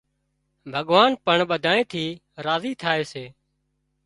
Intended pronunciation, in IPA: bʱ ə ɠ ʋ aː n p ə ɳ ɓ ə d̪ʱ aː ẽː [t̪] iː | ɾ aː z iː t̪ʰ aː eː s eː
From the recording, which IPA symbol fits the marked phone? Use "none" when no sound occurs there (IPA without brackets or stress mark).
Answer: t̪ʰ